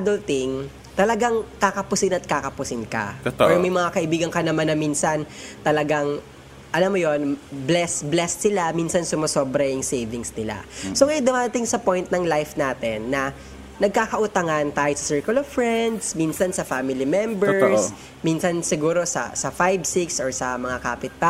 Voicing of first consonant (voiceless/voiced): voiced